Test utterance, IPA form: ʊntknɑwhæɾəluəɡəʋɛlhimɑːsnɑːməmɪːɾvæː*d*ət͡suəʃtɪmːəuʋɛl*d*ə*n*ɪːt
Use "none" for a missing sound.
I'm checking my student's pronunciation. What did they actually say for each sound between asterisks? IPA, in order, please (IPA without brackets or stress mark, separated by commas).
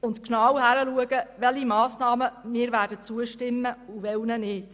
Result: d, n, n